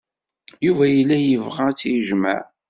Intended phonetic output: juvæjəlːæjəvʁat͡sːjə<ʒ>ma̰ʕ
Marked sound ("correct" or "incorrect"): correct